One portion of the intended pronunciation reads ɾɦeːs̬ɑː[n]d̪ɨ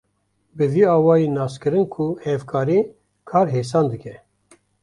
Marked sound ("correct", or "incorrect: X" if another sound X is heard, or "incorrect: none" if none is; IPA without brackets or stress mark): correct